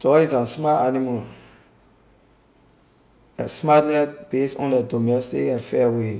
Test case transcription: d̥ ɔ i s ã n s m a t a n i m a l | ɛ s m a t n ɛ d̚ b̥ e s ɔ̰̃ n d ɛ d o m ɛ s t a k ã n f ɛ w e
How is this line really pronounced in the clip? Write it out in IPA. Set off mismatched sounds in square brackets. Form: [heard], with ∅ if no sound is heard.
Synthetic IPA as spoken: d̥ ɔ i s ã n s m a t a n i m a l | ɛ s m a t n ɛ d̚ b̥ e s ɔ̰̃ n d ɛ d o m ɛ s t [i] k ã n f ɛ w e